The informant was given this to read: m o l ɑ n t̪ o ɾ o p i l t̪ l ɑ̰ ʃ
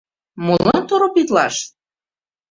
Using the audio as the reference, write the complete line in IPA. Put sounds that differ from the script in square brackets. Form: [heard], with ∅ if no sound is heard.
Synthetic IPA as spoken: m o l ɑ n t̪ o ɾ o p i [∅] t̪ l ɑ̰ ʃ